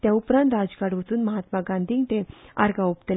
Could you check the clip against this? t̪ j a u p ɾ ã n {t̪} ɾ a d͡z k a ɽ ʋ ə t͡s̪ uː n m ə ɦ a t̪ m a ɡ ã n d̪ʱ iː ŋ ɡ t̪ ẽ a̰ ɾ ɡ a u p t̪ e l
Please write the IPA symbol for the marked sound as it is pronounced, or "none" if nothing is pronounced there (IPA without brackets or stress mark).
t̪